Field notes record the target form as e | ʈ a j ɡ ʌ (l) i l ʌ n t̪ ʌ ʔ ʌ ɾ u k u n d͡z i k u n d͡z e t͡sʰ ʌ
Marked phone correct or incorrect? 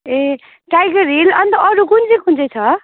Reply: incorrect